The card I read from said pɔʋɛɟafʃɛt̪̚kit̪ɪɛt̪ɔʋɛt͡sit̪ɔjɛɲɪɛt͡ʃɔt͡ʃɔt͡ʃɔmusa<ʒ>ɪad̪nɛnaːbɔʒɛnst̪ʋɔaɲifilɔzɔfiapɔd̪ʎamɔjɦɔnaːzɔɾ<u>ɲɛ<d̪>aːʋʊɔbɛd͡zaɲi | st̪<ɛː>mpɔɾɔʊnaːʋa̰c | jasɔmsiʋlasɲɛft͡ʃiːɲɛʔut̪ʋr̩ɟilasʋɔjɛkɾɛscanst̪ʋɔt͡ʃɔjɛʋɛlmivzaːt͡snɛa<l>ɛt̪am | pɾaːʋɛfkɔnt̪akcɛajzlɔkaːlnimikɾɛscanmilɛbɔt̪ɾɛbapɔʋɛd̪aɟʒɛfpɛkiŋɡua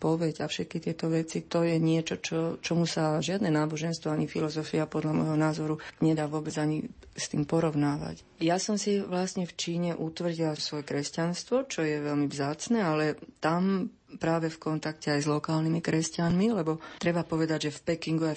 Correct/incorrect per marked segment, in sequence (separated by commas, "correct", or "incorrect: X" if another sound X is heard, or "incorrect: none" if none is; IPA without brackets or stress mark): correct, correct, correct, incorrect: iː, correct